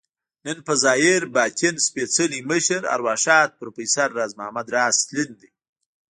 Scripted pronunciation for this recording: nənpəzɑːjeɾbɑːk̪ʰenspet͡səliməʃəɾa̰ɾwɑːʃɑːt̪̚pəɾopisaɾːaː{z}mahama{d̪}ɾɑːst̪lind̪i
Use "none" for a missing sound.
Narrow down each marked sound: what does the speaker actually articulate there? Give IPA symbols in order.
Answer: z, d̪

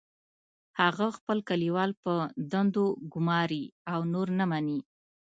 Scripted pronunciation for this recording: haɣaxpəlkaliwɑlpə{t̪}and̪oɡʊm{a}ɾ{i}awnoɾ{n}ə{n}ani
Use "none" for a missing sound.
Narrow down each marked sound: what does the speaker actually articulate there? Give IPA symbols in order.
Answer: d̪, ɑ, i, n, m

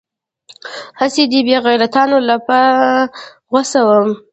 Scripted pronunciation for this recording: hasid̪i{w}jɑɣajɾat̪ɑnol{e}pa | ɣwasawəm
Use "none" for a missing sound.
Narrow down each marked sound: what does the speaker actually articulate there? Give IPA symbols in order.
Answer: b, a

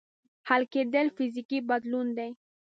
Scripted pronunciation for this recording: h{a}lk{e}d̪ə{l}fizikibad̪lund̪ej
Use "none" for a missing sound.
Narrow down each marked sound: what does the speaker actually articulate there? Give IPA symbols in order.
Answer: a, e, l

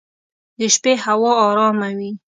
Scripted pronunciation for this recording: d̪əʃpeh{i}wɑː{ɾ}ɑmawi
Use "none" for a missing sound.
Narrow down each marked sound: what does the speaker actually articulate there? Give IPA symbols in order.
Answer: a, ɾ

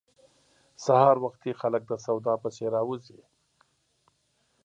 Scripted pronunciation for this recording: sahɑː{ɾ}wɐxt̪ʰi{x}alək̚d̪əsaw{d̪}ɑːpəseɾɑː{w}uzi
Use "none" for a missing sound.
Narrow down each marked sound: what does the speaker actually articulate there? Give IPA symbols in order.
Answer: ɾ, x, d̪, w

